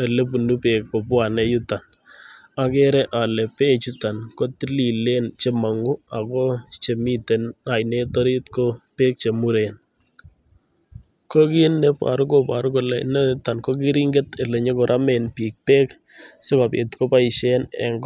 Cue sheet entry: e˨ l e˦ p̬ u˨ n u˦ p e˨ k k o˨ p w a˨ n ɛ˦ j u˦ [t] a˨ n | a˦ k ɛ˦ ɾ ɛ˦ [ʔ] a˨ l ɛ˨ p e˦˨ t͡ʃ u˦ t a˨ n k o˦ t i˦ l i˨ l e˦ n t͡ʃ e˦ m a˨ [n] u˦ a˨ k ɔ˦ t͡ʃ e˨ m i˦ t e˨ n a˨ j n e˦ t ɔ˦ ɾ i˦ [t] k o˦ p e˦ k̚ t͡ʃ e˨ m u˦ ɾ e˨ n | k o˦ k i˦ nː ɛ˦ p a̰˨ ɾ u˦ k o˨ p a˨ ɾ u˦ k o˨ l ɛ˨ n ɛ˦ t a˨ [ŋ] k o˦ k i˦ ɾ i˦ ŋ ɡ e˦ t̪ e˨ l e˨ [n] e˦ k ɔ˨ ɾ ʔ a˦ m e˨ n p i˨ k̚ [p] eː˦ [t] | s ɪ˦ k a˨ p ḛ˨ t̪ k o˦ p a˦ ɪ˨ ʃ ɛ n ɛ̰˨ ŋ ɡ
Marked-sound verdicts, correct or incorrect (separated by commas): correct, correct, incorrect, correct, incorrect, incorrect, correct, incorrect